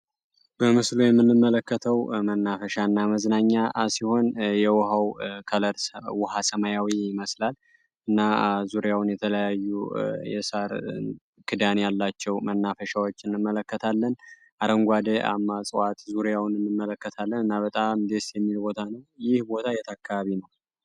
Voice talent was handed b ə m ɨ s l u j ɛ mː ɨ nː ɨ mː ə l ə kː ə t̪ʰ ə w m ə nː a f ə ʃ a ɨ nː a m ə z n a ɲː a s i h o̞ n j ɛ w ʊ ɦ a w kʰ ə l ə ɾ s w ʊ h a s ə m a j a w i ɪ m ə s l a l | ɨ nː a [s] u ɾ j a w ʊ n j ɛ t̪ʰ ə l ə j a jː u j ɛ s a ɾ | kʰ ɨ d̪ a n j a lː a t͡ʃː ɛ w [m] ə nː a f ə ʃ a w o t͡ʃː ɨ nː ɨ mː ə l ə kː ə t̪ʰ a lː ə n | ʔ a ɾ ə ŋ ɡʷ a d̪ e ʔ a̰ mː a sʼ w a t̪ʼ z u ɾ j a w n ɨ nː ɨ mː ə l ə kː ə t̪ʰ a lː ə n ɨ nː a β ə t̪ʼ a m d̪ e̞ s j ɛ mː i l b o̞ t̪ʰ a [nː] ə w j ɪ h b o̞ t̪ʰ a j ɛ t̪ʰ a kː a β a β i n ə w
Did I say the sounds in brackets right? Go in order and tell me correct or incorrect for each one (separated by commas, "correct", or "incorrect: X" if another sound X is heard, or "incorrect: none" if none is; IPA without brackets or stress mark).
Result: incorrect: z, correct, incorrect: n